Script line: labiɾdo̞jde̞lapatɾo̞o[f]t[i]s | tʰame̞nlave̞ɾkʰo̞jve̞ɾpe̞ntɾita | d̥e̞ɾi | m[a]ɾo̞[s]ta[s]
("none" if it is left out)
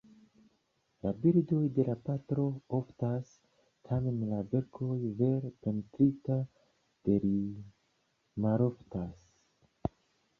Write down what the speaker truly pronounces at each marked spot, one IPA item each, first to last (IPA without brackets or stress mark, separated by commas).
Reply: f, a, a, f, s